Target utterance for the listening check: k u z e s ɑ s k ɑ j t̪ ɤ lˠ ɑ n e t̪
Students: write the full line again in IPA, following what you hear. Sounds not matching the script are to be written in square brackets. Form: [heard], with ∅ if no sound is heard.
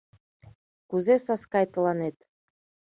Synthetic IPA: k u z e s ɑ s k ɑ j t̪ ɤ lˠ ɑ n e t̪